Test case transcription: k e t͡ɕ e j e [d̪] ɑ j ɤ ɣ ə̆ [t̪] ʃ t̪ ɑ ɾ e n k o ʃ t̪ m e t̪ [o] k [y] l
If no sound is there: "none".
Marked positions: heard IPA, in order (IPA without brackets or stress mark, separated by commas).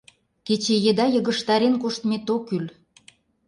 d̪, none, o, y